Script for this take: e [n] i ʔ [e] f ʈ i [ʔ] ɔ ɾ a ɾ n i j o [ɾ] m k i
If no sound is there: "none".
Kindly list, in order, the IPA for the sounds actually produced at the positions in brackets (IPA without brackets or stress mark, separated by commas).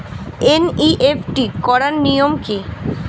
n, e, k, none